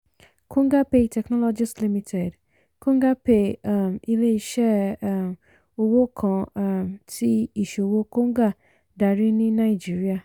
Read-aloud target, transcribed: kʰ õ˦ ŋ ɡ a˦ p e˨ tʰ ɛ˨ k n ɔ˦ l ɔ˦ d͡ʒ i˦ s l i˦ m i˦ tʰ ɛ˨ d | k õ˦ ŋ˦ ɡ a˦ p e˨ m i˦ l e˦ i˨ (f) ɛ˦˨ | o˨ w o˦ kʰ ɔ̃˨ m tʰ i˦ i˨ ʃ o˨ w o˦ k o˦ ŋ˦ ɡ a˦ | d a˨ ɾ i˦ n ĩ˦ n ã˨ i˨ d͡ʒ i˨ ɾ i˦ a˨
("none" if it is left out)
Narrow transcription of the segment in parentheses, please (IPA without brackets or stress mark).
ʃ